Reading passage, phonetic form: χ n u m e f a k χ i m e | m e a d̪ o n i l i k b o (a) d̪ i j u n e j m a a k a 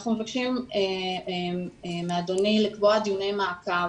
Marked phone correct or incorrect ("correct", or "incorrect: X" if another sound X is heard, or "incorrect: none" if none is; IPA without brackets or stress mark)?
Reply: correct